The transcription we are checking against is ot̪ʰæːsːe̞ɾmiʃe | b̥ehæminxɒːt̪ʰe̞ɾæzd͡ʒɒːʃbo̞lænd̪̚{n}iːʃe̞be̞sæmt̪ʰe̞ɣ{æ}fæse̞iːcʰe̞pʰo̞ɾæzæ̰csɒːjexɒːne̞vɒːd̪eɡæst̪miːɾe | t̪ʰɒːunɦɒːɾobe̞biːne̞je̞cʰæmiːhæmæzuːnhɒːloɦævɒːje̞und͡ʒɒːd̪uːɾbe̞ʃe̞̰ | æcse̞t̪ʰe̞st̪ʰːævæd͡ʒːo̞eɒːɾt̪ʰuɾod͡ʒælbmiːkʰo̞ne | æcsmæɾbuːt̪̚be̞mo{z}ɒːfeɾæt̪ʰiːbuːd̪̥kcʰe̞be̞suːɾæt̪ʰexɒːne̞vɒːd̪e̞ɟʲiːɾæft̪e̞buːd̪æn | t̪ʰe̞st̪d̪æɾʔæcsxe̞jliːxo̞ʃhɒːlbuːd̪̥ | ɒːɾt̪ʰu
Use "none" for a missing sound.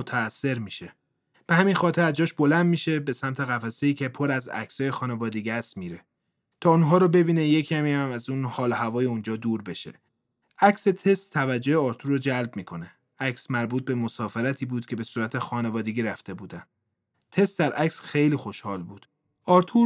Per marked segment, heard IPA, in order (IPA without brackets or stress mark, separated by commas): m, æ, s